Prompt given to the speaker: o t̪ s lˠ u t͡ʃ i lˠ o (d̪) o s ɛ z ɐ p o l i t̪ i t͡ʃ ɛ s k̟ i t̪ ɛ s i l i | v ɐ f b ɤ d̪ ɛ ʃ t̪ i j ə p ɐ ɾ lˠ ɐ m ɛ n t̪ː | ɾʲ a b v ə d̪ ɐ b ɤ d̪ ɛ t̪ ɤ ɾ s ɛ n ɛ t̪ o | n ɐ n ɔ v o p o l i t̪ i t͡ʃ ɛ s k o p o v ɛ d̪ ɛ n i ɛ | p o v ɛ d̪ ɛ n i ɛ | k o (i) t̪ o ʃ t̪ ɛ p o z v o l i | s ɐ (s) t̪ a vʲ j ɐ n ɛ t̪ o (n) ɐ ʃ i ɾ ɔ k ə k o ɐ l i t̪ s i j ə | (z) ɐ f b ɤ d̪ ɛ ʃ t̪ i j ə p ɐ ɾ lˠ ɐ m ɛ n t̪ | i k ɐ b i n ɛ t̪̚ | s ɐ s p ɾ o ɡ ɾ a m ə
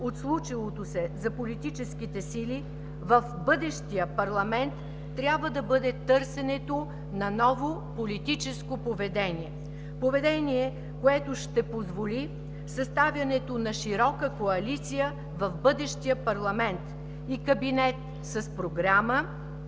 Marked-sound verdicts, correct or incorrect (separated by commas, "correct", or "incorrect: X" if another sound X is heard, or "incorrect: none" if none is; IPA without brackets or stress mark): incorrect: t̪, incorrect: ɛ, correct, correct, incorrect: v